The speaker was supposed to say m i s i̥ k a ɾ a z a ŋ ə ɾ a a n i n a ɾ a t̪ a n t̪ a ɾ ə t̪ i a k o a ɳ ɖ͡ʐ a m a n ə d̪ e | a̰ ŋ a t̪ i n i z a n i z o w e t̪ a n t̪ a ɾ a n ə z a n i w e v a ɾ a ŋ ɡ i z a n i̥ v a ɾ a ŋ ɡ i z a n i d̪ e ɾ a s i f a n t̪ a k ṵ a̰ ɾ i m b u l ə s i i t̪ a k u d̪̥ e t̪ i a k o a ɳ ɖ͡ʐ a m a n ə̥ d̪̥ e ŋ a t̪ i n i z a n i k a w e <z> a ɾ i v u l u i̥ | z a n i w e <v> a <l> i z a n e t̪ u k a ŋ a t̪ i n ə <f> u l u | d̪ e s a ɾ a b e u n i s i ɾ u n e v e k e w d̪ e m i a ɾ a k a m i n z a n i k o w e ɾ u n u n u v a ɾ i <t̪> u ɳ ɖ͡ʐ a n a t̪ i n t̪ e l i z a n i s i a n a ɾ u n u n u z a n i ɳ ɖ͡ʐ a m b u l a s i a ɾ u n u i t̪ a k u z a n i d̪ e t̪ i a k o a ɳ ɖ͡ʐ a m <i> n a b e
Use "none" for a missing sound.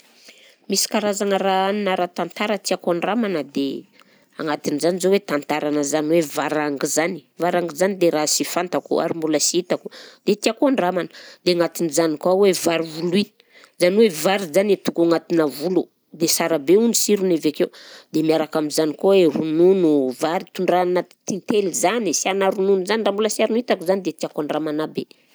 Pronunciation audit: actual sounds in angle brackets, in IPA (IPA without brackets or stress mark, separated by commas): v, v, ɾ, v, t̪, a